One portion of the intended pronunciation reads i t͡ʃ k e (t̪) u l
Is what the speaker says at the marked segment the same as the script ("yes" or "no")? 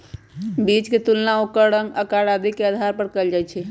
yes